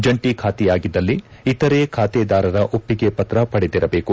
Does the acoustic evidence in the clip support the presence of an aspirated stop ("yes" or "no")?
yes